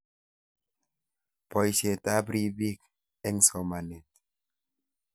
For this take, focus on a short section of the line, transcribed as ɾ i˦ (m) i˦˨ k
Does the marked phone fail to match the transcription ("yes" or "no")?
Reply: yes